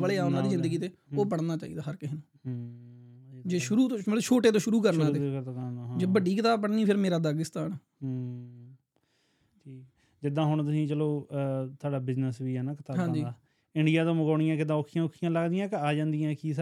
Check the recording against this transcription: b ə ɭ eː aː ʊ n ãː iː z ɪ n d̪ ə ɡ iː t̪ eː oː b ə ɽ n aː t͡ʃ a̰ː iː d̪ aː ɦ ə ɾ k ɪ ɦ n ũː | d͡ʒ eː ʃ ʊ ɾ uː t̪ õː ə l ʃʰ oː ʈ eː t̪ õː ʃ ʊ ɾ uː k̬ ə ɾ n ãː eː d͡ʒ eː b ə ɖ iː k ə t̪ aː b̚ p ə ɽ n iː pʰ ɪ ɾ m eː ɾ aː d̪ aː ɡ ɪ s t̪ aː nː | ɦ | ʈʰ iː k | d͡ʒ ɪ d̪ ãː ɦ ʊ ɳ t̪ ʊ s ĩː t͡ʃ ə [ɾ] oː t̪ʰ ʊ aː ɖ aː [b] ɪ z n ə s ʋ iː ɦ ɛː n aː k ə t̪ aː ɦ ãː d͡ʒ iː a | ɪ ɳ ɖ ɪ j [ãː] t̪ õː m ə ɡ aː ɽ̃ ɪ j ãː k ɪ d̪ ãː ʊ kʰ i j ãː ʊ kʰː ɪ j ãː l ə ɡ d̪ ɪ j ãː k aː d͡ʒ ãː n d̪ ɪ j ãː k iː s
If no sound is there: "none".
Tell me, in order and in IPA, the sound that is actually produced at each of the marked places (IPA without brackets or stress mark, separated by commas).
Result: l, b, aː